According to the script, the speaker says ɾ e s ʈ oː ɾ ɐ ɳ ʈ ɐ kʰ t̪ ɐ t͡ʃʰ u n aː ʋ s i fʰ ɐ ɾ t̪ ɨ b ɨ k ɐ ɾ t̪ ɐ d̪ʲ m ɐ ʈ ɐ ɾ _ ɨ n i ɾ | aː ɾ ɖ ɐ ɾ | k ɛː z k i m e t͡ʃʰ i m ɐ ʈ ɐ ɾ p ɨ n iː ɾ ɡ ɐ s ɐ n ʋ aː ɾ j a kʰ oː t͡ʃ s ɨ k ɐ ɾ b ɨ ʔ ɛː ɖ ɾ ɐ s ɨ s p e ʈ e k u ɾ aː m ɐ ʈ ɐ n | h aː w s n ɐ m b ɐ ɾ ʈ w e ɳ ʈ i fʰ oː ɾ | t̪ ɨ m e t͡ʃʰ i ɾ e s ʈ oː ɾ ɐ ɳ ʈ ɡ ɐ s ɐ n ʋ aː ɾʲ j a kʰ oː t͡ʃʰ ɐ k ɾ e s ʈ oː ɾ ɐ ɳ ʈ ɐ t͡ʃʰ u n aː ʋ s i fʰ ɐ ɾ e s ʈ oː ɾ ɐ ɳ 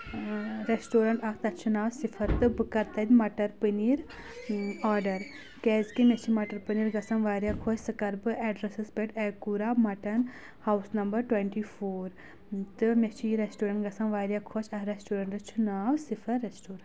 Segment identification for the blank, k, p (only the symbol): p